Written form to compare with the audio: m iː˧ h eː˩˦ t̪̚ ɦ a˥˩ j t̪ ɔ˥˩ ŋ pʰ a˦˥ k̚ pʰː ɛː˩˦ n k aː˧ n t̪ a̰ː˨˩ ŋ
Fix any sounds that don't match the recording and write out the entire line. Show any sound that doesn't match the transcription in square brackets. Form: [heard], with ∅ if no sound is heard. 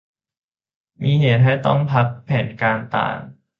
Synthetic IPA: m iː˧ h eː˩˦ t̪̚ ɦ a˥˩ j t̪ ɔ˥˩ ŋ pʰ a˦˥ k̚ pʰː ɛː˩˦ n k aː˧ n t̪ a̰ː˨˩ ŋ